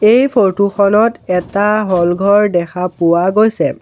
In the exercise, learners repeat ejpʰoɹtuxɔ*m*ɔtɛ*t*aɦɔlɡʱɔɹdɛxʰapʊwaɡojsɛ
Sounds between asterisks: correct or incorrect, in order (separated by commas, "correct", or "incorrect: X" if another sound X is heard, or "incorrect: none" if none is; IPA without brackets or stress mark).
incorrect: n, correct